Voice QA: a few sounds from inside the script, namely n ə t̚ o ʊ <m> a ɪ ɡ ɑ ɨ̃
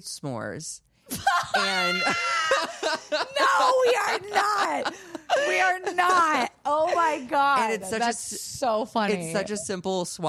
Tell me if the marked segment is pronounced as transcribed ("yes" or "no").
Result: yes